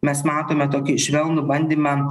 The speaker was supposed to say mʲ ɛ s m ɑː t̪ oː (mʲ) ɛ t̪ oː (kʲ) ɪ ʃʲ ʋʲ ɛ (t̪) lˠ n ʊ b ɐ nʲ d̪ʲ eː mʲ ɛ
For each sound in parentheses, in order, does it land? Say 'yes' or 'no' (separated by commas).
yes, yes, no